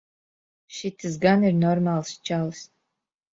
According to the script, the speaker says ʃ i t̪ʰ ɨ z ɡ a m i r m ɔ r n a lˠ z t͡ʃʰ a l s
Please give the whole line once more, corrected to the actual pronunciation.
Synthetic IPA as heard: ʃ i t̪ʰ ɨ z ɡ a n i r n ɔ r m a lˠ s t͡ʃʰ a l s